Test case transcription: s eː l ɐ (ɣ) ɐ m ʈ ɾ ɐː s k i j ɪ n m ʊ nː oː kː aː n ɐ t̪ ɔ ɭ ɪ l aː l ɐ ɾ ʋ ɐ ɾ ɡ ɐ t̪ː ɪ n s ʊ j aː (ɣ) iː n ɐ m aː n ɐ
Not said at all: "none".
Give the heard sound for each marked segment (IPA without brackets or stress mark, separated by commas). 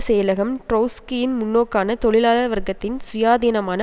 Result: ɣ, ð